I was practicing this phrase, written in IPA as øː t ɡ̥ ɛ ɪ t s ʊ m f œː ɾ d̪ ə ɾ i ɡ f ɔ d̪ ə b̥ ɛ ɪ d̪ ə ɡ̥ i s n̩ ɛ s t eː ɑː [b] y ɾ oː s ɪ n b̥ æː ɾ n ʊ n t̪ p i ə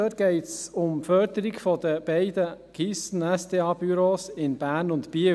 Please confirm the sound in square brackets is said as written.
yes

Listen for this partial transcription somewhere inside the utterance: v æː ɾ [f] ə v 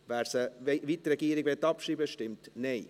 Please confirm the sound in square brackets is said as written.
no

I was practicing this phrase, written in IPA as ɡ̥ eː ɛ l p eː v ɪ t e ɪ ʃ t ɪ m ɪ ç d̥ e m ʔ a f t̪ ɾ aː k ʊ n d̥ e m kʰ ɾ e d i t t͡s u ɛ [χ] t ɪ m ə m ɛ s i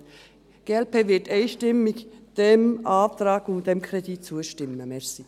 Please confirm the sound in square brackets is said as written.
no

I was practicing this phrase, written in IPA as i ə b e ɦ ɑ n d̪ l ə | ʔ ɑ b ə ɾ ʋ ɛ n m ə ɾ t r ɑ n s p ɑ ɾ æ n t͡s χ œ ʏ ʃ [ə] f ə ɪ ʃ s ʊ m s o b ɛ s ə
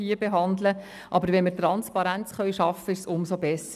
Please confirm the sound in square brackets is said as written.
no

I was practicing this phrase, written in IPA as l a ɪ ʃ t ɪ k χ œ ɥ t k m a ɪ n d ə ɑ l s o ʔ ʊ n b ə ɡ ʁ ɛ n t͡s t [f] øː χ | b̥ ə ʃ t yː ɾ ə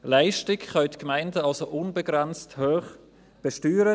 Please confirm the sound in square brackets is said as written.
no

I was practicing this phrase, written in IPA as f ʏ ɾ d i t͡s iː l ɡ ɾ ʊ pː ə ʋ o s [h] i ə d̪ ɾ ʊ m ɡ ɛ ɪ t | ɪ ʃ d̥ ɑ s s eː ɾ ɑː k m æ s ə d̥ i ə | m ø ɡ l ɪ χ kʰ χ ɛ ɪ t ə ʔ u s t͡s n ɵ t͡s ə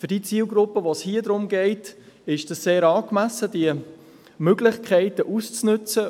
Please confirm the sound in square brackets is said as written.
yes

